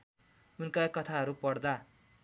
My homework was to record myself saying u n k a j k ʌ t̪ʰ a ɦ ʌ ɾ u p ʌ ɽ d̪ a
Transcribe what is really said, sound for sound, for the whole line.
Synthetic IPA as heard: u n k a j k ʌ t̪ʰ a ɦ ʌ ɾ u p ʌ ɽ d̪ a

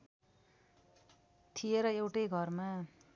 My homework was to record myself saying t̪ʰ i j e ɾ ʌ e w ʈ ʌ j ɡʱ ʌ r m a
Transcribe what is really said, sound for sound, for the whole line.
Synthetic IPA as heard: t̪ʰ i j e ɾ ʌ e w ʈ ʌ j ɡʱ ʌ r m a

